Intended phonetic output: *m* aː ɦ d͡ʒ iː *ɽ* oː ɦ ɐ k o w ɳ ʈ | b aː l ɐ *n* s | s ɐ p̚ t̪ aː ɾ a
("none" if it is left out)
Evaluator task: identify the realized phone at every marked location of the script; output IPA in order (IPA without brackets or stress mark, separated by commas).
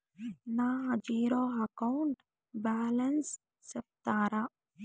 n, ɾ, n